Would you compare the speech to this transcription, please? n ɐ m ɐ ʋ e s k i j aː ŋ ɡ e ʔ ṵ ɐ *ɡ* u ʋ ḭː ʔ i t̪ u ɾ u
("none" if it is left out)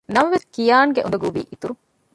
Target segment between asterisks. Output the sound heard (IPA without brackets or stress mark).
ɡ